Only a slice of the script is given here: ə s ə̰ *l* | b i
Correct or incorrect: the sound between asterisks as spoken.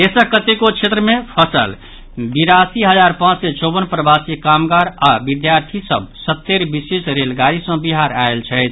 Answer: correct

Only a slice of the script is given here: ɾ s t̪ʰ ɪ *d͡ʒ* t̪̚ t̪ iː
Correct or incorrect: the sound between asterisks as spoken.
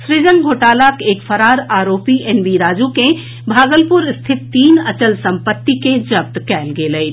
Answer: incorrect: none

